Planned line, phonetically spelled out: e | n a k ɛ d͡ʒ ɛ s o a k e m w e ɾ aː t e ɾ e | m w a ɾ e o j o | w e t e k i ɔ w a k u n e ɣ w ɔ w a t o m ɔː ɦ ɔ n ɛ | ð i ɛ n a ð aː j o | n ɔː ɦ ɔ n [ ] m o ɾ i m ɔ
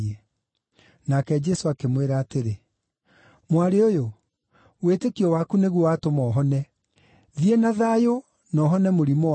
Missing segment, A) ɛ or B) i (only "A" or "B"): A